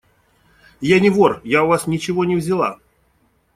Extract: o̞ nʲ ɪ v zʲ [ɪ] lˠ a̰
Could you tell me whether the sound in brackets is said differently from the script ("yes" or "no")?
no